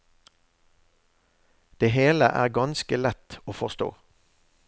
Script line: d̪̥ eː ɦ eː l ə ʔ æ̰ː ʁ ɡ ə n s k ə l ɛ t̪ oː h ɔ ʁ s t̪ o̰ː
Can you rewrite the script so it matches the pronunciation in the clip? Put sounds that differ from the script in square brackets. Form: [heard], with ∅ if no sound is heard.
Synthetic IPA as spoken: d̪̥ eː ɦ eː l ə ʔ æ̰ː ʁ ɡ [ɑ] n s k ə l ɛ t̪ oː [f] ɔ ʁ s t̪ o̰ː